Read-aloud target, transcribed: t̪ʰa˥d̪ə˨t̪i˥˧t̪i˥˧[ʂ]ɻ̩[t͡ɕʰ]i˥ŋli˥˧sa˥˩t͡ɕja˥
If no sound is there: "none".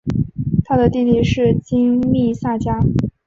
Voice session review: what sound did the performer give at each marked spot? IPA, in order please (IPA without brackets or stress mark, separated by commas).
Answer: ʂ, t͡ɕ